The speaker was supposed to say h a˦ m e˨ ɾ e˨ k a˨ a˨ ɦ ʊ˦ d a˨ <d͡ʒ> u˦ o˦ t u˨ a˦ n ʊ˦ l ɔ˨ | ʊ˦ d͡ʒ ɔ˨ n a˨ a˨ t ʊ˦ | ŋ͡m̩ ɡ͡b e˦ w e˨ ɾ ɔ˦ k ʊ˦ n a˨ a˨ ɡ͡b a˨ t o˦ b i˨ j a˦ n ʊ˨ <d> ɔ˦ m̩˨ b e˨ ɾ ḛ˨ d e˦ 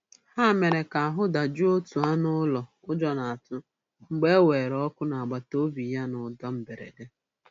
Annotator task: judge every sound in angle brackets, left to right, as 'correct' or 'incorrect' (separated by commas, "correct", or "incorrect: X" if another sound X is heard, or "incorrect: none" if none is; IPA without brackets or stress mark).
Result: correct, correct